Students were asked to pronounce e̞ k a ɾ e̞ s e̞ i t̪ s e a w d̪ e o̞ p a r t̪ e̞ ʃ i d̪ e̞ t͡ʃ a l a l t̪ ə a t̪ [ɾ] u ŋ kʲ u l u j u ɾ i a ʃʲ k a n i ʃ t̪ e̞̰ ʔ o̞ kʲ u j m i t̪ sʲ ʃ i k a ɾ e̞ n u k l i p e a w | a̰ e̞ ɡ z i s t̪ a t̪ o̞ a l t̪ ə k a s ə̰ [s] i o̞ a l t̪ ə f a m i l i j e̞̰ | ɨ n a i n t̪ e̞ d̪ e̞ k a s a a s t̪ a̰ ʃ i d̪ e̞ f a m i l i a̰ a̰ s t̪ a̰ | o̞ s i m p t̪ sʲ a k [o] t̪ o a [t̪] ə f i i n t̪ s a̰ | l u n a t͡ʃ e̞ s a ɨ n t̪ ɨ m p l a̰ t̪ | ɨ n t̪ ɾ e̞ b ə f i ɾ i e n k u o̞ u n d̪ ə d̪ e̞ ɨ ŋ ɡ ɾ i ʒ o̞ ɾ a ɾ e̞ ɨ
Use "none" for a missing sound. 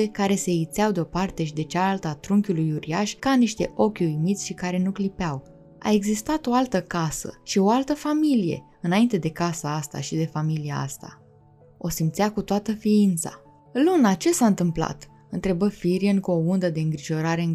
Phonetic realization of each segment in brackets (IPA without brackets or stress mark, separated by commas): ɾ, ʃ, u, t̪